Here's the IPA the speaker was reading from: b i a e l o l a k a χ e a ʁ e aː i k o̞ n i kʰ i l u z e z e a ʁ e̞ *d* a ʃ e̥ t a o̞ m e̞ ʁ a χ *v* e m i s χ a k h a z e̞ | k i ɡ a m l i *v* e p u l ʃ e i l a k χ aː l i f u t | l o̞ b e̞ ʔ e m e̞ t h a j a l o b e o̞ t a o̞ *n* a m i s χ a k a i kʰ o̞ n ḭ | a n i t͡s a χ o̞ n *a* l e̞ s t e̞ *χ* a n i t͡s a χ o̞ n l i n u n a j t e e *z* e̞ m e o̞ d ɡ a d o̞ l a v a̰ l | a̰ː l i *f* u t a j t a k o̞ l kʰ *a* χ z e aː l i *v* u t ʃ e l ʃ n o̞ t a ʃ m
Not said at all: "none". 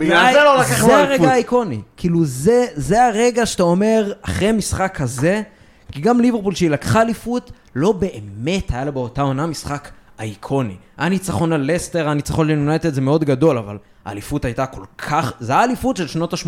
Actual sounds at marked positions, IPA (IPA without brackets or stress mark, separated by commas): ɡ, ʁ, v, n, a, ʁ, z, f, a, f